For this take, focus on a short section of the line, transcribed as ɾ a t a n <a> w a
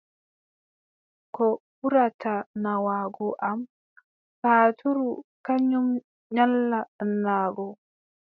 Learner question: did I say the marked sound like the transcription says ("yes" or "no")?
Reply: yes